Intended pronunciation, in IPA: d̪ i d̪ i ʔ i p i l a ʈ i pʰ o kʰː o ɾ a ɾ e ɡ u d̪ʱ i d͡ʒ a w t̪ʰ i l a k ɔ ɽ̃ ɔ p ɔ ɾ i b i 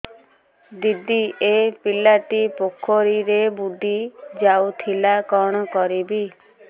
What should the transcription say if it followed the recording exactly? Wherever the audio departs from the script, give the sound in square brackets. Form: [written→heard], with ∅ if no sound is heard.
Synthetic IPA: d̪ i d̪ i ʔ [i→e] p i l a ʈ i [pʰ→p] o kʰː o ɾ [a→i] ɾ e [ɡ→b] u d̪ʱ i d͡ʒ a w t̪ʰ i l a k ɔ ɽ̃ ɔ [p→k] ɔ ɾ i b i